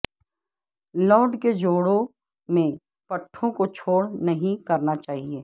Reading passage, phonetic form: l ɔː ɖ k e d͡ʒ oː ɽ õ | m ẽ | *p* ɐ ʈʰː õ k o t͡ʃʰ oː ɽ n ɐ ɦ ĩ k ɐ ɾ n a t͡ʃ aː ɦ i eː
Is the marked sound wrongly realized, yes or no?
no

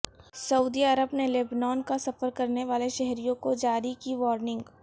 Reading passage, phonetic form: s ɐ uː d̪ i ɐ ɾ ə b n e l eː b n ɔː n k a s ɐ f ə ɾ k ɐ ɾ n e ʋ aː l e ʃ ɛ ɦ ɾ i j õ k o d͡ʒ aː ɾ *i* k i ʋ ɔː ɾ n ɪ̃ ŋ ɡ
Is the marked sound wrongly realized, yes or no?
no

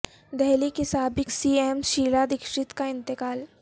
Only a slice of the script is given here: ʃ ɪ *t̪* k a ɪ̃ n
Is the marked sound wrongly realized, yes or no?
no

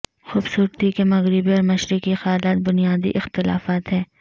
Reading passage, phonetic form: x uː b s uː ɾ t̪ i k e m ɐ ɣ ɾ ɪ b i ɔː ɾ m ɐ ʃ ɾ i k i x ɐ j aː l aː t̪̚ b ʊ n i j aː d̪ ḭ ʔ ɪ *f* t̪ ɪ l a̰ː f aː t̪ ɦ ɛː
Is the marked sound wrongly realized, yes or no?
yes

